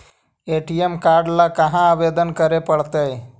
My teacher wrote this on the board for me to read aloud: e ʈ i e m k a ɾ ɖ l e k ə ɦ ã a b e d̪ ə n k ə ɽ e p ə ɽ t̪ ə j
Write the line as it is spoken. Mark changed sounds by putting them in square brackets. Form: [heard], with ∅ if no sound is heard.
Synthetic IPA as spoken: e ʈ i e m k a ɾ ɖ l [a] k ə ɦ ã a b e d̪ ə n k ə [ɾ] e p ə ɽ t̪ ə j